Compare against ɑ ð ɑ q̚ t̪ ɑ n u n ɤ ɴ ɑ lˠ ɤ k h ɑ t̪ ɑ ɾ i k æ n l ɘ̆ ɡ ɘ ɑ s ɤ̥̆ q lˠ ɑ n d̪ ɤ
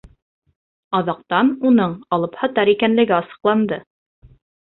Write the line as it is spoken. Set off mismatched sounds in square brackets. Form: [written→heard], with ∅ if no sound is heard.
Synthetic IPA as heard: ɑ ð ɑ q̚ t̪ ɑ n u n ɤ ɴ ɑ lˠ ɤ [k→p] h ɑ t̪ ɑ ɾ i k æ n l ɘ̆ ɡ ɘ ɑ s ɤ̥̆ q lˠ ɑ n d̪ ɤ